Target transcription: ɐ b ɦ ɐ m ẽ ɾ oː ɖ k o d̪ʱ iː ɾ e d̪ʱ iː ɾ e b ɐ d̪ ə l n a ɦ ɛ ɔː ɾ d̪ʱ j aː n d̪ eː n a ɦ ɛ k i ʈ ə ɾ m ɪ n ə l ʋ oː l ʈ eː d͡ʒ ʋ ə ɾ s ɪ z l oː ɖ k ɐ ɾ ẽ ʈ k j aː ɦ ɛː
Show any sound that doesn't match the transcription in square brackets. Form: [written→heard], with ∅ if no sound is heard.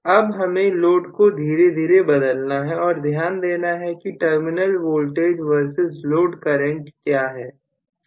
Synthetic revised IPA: ɐ b ɦ ɐ m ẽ [ɾ→l] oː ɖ k o d̪ʱ iː ɾ e d̪ʱ iː ɾ e b ɐ d̪ ə l n a ɦ ɛ ɔː ɾ d̪ʱ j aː n d̪ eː n a ɦ ɛ k i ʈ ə ɾ m ɪ n ə l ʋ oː l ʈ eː d͡ʒ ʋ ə ɾ s ɪ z l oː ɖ k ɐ ɾ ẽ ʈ k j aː ɦ ɛː